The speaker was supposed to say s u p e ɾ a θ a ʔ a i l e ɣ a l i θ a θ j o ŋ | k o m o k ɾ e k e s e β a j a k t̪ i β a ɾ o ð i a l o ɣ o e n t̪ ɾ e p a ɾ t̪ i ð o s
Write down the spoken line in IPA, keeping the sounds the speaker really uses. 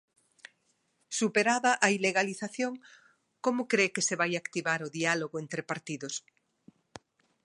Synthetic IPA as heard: s u p e ɾ a ð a ʔ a i l e ɣ a l i θ a θ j o ŋ | k o m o k ɾ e k e s e β a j a k t̪ i β a ɾ o ð i a l o ɣ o e n t̪ ɾ e p a ɾ t̪ i ð o s